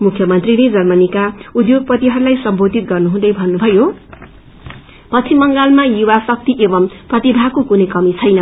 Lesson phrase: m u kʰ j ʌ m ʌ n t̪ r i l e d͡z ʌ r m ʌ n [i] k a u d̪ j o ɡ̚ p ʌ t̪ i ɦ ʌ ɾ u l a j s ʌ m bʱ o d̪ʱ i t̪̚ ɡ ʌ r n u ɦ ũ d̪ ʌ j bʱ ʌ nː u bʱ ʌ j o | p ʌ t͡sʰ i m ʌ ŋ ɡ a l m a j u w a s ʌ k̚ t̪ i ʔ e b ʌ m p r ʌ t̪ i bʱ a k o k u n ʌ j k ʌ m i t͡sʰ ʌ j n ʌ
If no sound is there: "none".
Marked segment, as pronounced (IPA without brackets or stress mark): i